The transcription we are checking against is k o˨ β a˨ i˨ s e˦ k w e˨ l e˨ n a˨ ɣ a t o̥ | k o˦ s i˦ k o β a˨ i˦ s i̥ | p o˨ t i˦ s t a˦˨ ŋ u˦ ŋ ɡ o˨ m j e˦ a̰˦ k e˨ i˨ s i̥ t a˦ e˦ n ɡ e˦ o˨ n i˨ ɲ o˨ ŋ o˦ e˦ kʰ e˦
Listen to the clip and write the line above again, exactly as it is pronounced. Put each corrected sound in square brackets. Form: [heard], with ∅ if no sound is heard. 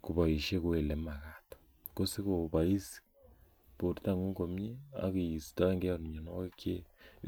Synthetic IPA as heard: k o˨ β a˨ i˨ [ʃ] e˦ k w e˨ l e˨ [m] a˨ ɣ a t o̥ | k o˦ s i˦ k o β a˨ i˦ s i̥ | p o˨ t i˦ [∅] t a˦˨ ŋ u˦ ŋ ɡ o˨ m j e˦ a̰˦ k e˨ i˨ s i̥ t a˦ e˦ [ŋ] ɡ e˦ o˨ n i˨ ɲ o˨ [n] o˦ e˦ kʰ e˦